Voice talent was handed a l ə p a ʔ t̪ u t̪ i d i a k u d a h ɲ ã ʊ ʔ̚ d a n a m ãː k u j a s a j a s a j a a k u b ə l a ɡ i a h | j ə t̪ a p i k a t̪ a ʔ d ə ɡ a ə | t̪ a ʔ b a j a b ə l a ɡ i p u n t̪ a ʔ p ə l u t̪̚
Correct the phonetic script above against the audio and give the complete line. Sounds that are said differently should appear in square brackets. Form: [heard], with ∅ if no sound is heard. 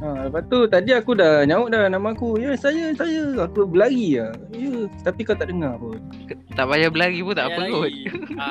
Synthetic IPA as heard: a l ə p a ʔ t̪ u t̪ [a] d i a k u d a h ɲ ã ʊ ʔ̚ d a n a m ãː k u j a s a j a s a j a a k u b ə l a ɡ i a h | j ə t̪ a p i k a t̪ a ʔ d ə [ŋ] a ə | t̪ a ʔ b a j a b ə l a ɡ i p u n t̪ a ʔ p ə l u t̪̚